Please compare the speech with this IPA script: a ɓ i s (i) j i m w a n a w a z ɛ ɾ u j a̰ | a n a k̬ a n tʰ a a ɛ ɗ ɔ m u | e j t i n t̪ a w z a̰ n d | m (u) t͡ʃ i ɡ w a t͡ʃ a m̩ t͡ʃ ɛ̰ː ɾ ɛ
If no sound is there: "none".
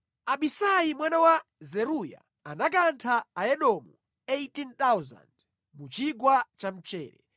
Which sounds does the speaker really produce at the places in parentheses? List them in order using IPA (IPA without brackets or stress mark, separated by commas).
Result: a, u